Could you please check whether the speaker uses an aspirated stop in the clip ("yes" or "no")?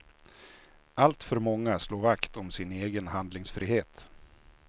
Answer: no